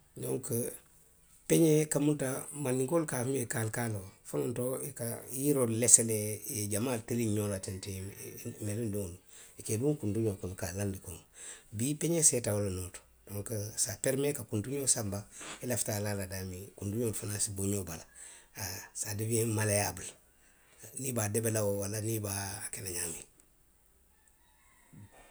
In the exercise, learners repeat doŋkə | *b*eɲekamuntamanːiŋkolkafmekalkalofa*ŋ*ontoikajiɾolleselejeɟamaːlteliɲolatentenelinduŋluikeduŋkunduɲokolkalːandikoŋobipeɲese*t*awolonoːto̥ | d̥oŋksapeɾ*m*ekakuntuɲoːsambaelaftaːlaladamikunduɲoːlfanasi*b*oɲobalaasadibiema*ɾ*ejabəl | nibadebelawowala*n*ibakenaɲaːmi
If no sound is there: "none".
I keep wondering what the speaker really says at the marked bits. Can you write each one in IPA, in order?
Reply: p, n, t, m, b, l, n

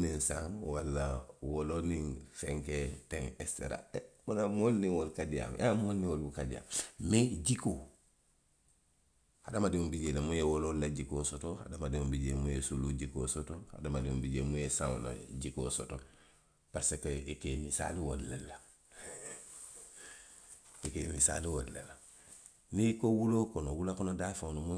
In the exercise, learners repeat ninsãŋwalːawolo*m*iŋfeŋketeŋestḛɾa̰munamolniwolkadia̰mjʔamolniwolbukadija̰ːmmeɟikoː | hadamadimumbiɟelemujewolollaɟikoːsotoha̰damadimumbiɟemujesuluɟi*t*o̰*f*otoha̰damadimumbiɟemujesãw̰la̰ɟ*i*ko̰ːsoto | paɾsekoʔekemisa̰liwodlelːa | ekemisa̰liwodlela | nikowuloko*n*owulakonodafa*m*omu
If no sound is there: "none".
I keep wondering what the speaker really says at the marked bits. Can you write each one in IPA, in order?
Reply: n, k, s, i, n, n

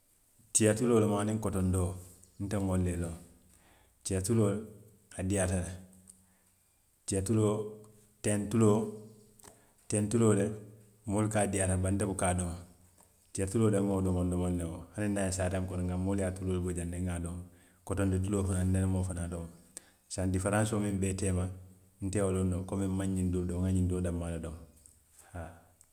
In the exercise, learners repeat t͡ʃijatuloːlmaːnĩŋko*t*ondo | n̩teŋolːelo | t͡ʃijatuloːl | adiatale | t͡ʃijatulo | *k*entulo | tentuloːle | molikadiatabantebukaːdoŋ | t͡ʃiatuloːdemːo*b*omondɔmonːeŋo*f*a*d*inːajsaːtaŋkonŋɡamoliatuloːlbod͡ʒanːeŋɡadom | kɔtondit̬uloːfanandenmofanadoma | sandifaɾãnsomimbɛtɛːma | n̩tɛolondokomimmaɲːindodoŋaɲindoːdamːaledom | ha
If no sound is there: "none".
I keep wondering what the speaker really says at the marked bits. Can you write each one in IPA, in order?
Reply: t, t, d, h, n

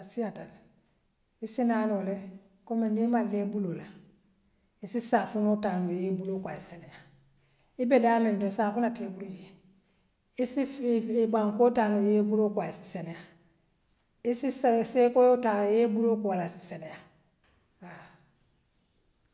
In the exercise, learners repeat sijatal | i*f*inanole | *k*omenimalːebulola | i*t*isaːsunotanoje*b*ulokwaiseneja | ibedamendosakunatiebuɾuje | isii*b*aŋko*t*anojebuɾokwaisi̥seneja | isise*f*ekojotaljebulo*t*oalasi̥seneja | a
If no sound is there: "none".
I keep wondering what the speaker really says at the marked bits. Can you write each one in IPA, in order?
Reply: s, k, s, b, b, t, s, k

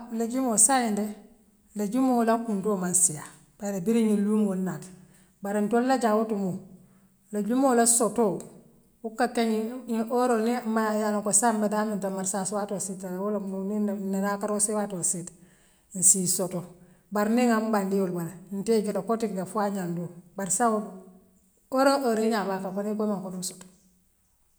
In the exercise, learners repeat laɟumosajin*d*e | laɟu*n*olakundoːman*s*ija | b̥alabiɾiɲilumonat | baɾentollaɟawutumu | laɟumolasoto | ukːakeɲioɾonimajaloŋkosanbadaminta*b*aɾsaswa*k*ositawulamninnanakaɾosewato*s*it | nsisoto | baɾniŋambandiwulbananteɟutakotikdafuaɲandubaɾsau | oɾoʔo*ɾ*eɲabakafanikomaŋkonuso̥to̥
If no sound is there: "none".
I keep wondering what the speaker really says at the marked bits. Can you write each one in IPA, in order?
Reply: d, m, s, m, t, s, ɾ

